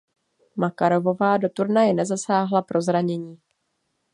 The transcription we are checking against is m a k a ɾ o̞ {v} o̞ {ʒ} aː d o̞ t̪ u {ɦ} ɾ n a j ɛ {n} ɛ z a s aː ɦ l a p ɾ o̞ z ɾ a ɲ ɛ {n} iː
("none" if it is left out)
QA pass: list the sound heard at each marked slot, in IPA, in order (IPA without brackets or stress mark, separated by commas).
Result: v, v, none, n, ɲ